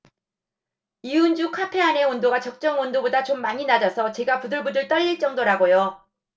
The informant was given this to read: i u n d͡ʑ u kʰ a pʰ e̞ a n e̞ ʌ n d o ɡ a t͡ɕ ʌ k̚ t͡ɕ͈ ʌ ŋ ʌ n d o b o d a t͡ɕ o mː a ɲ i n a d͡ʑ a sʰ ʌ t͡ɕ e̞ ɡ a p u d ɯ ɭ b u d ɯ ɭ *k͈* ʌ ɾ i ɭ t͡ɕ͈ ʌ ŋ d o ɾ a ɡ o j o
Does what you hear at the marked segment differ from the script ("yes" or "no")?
yes